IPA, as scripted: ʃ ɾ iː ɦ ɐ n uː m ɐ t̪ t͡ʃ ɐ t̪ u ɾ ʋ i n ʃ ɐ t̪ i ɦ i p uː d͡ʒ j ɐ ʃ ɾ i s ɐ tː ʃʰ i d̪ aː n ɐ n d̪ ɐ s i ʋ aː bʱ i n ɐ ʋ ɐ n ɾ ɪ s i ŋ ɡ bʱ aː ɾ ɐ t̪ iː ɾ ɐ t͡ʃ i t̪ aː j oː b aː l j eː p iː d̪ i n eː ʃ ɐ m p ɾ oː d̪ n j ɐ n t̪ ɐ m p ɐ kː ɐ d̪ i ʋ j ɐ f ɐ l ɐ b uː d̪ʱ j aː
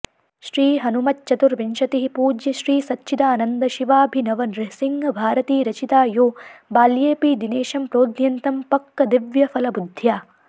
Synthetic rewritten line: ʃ ɾ iː ɦ ɐ n u m ɐ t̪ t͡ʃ ɐ t̪ u ɾ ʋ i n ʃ ɐ t̪ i ɦ i p uː d͡ʒ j ɐ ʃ ɾ iː s ɐ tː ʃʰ i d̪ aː n ɐ n d̪ ɐ ʃ i ʋ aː bʱ i n ɐ ʋ ɐ n ɾ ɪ s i ŋ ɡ bʱ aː ɾ ɐ t̪ iː ɾ ɐ t͡ʃ i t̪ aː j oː b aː l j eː p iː d̪ i n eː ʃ ɐ m p ɾ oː d̪ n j ɐ n t̪ ɐ m p ɐ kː ɐ d̪ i ʋ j ɐ f ɐ l ɐ b u d̪ʱ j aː